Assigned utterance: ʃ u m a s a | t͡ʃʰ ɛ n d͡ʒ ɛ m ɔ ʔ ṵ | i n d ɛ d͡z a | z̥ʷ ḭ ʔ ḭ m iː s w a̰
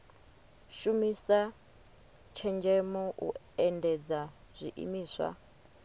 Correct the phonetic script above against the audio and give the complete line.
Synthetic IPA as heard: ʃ u m i s a | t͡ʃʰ ɛ n d͡ʒ ɛ m ɔ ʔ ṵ | ɛ n d ɛ d͡z a | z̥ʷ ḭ ʔ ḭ m iː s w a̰